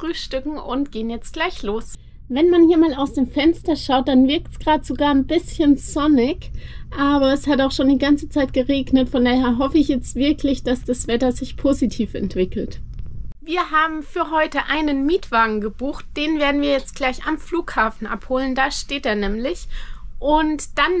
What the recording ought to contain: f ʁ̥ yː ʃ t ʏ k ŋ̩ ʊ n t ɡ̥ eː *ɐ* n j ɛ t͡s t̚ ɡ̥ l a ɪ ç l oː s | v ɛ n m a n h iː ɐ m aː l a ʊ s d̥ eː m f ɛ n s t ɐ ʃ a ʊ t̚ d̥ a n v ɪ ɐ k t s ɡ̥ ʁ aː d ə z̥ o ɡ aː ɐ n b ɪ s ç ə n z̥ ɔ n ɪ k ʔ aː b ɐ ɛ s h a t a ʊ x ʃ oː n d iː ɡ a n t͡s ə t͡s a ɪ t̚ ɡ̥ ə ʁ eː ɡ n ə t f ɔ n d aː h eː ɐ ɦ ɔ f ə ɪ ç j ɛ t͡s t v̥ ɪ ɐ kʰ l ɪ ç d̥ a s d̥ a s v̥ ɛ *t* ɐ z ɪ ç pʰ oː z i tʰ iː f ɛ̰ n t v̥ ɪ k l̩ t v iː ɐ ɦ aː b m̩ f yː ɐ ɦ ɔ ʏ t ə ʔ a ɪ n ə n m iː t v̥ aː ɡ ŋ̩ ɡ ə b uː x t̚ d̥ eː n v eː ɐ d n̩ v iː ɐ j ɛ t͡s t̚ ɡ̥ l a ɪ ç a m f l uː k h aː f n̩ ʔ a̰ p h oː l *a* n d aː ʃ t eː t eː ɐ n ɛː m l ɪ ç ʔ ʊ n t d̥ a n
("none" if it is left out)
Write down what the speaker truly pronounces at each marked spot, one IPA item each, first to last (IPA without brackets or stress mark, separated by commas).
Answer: ə, t, ə